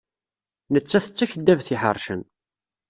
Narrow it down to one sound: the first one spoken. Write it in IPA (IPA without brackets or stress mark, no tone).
n